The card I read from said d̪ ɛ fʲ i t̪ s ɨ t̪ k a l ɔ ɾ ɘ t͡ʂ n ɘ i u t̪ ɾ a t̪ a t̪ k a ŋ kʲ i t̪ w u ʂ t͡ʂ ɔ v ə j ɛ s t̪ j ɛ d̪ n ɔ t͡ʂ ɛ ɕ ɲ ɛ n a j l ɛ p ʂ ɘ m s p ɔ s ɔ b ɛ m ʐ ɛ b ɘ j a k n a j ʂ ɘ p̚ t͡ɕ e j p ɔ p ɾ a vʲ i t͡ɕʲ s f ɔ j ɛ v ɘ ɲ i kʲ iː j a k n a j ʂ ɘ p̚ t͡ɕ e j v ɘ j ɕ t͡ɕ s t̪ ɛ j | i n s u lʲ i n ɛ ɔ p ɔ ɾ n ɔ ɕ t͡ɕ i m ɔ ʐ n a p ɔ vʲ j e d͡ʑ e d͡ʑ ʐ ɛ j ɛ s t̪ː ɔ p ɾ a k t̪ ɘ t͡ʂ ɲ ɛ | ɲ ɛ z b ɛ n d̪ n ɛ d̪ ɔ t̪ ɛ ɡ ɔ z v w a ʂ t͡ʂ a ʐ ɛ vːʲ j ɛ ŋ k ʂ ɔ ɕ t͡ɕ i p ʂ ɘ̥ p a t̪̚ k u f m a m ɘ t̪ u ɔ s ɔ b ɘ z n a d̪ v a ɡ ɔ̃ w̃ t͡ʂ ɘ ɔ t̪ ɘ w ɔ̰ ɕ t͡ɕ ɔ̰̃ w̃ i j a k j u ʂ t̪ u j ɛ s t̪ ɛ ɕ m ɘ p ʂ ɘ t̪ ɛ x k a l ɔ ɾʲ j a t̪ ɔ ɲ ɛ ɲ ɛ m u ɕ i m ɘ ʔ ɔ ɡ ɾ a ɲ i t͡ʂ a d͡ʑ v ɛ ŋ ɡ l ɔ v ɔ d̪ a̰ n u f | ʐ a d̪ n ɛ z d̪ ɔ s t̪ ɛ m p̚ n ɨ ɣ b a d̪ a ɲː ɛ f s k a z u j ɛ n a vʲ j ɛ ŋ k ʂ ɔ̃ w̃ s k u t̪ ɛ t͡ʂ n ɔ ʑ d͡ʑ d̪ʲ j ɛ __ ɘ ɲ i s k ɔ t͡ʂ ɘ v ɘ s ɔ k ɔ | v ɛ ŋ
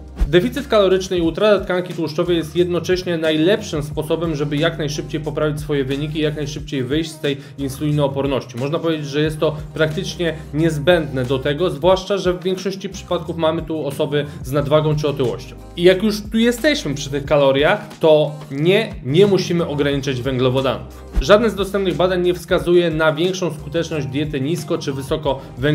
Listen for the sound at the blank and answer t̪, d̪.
t̪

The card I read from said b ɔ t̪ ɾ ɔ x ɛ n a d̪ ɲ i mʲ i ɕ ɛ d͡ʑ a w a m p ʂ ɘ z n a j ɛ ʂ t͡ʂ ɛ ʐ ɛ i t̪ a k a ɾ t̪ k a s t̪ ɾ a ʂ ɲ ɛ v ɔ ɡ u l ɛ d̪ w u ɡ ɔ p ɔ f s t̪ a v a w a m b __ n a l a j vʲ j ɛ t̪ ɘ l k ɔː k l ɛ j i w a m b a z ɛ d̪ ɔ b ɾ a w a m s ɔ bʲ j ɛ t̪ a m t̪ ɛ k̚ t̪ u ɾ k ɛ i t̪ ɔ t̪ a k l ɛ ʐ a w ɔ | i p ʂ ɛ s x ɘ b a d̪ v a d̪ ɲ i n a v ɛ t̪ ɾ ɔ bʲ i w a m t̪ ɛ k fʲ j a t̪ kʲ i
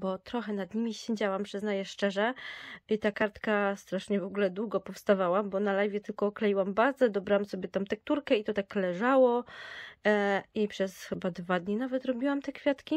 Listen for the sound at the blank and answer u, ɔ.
ɔ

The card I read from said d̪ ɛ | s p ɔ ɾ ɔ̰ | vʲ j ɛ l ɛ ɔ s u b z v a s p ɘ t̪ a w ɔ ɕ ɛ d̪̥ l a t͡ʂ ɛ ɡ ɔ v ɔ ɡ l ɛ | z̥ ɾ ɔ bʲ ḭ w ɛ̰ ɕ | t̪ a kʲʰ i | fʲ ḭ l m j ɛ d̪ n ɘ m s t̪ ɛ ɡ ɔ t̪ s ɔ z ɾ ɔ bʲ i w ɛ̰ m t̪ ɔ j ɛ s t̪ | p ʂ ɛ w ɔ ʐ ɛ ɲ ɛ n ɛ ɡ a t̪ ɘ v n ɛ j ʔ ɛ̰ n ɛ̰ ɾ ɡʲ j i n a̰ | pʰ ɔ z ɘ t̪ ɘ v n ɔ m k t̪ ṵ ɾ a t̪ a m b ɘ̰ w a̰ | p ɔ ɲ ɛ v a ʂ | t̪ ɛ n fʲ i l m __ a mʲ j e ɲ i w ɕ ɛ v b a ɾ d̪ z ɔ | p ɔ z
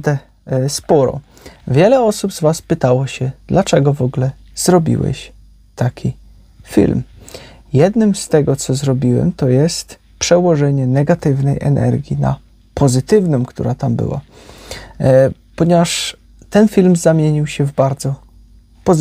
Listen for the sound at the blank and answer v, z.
z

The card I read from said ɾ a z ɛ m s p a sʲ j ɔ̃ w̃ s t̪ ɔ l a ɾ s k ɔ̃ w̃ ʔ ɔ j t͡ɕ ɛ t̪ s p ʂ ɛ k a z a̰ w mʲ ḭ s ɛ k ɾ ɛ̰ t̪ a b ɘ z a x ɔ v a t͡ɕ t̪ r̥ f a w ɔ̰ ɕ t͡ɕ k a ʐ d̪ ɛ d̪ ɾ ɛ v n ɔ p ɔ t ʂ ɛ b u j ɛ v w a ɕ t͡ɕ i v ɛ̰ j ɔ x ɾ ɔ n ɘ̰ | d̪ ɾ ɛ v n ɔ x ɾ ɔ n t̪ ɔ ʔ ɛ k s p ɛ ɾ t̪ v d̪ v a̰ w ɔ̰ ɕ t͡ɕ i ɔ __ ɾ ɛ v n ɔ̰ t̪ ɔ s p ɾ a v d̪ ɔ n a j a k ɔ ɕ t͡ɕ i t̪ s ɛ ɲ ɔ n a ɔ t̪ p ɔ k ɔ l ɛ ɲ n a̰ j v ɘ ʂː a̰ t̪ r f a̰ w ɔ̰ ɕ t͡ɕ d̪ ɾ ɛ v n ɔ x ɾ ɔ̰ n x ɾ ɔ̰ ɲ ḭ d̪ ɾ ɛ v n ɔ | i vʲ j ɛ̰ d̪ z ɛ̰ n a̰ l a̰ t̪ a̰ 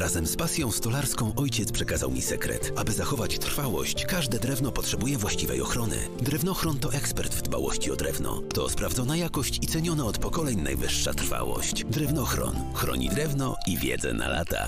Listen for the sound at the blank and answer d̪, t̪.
d̪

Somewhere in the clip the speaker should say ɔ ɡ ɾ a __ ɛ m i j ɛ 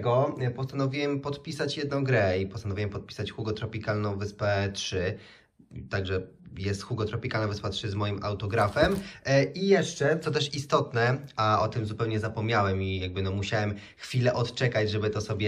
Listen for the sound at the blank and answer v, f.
f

